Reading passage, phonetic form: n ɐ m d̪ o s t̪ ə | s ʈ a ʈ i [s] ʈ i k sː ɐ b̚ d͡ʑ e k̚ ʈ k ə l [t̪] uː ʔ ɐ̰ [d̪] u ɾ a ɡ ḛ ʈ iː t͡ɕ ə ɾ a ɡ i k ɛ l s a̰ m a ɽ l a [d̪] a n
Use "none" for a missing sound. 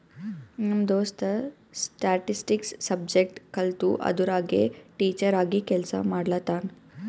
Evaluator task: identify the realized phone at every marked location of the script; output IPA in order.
s, t̪, d̪, t̪

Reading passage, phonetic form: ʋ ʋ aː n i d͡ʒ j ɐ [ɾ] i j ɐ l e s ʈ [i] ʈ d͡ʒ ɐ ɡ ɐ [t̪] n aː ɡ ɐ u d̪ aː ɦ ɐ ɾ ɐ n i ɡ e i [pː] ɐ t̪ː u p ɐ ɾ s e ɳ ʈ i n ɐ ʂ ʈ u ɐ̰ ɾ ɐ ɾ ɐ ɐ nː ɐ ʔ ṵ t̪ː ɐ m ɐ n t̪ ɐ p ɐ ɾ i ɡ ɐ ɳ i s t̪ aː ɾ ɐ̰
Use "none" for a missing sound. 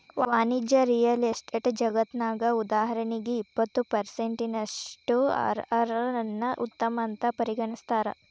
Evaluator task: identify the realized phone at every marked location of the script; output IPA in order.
ɾ, e, t̪, pː

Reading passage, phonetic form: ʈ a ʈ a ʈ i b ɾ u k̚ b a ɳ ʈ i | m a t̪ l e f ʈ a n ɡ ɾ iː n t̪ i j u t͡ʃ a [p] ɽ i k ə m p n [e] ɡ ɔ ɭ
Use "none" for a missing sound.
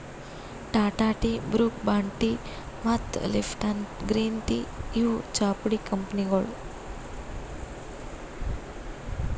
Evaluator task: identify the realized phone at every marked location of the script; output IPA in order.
p, i

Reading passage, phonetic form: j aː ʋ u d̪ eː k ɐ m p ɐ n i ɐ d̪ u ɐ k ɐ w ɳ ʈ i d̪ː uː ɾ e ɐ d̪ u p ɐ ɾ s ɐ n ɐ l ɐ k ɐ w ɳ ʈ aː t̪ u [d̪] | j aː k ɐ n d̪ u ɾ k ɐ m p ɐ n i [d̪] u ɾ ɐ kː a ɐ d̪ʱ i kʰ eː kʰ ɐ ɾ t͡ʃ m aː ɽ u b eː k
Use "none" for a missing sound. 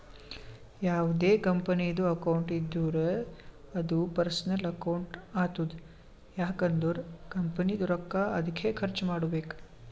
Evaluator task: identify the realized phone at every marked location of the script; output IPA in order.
d̪, d̪

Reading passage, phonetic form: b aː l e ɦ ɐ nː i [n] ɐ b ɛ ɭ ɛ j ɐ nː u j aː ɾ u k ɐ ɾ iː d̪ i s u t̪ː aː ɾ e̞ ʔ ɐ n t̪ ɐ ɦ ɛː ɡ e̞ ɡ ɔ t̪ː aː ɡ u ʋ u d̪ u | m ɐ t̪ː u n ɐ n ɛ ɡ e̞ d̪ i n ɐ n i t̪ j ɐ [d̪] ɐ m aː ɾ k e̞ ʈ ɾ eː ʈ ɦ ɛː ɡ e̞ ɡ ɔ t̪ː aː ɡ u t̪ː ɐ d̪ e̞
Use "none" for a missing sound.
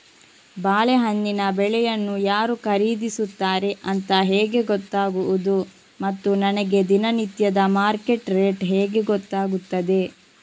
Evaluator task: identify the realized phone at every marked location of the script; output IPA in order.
n, d̪

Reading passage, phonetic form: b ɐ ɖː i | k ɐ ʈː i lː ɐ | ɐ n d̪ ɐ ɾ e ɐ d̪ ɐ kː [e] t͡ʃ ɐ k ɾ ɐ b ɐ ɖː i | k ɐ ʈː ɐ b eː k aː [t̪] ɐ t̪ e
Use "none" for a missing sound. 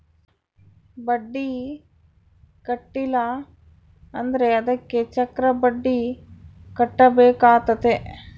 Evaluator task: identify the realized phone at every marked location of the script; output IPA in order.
e, t̪

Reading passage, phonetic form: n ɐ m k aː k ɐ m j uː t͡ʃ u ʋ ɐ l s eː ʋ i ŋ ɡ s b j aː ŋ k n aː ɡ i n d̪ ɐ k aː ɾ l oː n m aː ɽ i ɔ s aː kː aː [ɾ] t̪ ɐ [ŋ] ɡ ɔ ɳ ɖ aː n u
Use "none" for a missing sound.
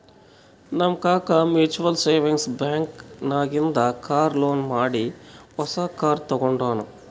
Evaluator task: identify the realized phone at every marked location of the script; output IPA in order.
ɾ, none

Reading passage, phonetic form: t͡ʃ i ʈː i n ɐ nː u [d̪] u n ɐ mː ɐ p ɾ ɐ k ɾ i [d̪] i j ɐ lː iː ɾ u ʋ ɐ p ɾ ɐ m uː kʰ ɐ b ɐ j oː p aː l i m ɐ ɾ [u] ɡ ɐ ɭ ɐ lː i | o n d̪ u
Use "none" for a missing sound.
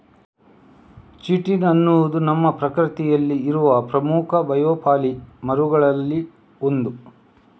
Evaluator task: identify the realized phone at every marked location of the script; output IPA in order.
d̪, t̪, u

